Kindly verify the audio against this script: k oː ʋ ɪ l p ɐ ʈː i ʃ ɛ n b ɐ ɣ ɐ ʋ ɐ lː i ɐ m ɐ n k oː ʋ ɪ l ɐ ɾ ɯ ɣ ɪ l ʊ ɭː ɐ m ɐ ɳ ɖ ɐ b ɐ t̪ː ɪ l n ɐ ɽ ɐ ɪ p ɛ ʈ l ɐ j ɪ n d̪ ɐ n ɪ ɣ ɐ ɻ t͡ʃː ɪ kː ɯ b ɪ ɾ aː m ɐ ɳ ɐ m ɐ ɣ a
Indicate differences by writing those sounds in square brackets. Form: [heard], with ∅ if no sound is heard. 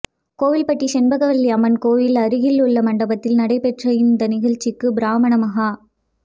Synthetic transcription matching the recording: k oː ʋ ɪ l p ɐ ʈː i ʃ ɛ n b ɐ ɣ ɐ ʋ ɐ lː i ɐ m ɐ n k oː ʋ ɪ l ɐ ɾ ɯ ɣ ɪ l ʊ ɭː ɐ m ɐ ɳ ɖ ɐ b ɐ t̪ː ɪ l n ɐ ɽ ɐ ɪ p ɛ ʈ [r] ɐ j ɪ n d̪ ɐ n ɪ ɣ ɐ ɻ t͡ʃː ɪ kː ɯ b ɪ ɾ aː m ɐ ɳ ɐ m ɐ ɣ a